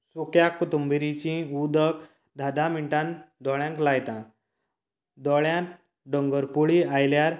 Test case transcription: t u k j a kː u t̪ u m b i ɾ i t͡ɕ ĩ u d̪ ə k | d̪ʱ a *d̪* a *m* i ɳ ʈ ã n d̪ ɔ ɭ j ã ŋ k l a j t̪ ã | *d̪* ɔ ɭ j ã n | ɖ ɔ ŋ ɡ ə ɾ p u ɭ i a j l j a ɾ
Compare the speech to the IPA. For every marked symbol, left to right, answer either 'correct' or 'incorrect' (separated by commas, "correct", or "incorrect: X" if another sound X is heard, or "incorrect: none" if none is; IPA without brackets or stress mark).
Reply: correct, correct, correct